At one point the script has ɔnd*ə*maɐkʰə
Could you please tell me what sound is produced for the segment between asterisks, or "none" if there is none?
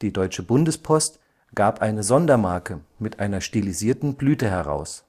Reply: ɐ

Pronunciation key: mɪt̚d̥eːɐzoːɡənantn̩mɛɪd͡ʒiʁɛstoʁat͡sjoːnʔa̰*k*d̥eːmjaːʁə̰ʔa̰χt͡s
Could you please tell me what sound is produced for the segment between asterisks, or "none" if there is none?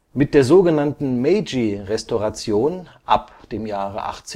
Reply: p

